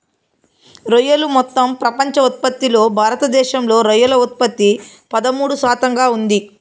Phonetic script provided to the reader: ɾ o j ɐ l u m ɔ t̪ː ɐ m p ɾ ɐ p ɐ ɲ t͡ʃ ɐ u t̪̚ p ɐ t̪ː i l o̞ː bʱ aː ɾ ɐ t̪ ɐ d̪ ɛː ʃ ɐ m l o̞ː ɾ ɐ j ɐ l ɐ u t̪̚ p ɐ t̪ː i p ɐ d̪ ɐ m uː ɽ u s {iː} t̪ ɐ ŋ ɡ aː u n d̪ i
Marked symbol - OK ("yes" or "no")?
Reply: no